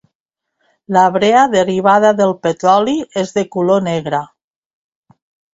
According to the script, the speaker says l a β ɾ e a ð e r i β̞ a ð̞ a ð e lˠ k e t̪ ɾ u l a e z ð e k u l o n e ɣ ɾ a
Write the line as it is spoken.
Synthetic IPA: l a β ɾ e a ð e r i β̞ a ð̞ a ð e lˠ p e t̪ ɾ ɔ l i e z ð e k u l o n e ɣ ɾ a